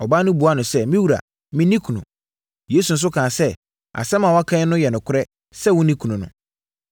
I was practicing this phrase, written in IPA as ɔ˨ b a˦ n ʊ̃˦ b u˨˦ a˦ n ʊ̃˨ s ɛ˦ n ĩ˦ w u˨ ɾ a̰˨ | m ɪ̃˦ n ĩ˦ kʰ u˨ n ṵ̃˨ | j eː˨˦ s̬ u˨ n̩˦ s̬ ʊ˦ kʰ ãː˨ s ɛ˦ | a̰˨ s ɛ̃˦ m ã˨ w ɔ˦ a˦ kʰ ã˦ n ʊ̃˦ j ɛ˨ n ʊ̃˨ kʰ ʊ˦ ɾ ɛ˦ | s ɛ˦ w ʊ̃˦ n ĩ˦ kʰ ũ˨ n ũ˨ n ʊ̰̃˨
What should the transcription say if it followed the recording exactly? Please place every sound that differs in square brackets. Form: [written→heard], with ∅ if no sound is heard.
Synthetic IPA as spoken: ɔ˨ b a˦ n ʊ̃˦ b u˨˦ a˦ n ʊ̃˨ s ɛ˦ [n→m] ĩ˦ w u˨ ɾ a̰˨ | m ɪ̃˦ n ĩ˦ kʰ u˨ n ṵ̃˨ | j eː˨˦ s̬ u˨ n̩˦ s̬ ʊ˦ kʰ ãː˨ s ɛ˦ | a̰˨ s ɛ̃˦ m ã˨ w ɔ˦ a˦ kʰ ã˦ n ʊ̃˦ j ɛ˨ n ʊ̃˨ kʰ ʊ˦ ɾ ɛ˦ | s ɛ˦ w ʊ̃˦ n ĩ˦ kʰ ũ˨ n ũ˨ n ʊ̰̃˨